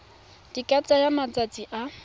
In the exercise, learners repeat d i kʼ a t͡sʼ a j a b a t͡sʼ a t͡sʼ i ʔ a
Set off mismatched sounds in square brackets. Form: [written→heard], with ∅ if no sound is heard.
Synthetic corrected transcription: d i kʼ a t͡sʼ a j a [b→m] a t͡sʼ a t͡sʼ i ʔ a